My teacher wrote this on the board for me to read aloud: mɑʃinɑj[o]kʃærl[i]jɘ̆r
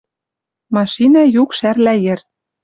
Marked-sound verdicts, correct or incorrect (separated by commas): incorrect, incorrect